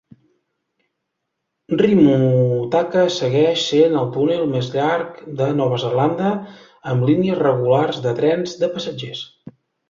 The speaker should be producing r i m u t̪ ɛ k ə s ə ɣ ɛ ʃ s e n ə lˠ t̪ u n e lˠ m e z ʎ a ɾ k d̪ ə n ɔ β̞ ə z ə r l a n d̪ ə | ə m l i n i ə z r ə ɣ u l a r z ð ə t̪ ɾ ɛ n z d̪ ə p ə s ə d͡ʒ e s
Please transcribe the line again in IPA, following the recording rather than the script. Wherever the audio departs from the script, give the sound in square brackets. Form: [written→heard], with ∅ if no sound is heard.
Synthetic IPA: r i m u t̪ [ɛ→a] k ə s ə ɣ ɛ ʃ s e n ə lˠ t̪ u n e lˠ m e z ʎ a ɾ k d̪ ə n ɔ β̞ ə z ə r l a n d̪ ə | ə m l i n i ə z r ə ɣ u l a r z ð ə t̪ ɾ ɛ n z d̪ ə p ə s ə d͡ʒ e s